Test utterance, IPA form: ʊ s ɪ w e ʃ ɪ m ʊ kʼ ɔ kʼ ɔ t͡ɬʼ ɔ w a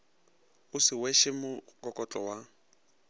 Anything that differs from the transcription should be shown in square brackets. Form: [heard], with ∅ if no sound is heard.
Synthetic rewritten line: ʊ s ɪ w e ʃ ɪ m ʊ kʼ ɔ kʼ ɔ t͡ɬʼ ɔ w a

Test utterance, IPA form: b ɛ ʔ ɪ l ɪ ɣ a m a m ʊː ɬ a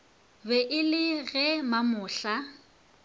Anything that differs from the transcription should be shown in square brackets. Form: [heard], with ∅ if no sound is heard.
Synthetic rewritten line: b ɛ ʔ ɪ l ɪ ɣ [ɛ] m a m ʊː ɬ a

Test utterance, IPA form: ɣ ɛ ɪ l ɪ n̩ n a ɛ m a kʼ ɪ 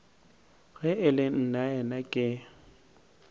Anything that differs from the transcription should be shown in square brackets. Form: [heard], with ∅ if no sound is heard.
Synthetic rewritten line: ɣ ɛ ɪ l ɪ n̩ n a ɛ [n] a kʼ ɪ

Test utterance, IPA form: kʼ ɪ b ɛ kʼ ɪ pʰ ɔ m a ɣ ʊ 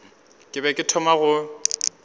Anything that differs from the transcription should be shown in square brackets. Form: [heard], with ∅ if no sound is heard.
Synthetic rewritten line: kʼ ɪ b ɛ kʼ ɪ [tʰ] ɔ m a ɣ ʊ

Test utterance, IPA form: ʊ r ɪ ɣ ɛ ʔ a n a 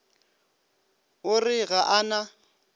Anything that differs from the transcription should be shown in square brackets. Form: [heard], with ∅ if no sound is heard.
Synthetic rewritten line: ʊ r ɪ ɣ [a] ʔ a n a

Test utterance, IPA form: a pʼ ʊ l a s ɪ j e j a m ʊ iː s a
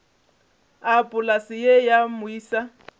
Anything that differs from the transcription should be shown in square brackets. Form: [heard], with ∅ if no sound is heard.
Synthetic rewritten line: a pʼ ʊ l a s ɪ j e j a m ʊ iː s a

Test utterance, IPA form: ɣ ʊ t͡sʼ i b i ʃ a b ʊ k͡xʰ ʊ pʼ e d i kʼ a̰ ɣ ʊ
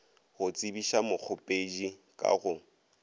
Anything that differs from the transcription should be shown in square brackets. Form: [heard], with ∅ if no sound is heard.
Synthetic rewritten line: ɣ ʊ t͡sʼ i b i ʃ a [m] ʊ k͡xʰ ʊ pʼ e [d͡ʒ] i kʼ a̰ ɣ ʊ

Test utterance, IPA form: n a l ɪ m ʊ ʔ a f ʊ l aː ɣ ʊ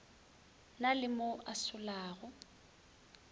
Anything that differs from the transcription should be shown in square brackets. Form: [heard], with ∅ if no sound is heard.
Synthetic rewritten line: n a l ɪ m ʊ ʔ a [s] ʊ l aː ɣ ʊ

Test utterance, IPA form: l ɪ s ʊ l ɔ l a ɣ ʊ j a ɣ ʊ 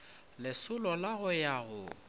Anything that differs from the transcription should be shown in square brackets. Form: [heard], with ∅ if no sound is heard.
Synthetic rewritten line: l ɪ s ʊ l ɔ l a ɣ ʊ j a ɣ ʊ

